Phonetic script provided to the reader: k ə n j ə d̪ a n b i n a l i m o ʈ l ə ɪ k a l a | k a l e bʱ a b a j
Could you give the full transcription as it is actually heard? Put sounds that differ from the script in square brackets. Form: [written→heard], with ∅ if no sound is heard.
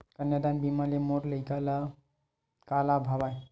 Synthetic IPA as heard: k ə n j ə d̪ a n b i [n→m] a l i m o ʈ l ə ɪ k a l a | k a l [e→a] bʱ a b a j